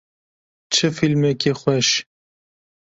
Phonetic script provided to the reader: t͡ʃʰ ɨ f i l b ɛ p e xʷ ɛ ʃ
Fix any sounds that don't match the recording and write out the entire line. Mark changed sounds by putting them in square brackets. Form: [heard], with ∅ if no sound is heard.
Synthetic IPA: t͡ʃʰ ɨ f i l [m] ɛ [k] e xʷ ɛ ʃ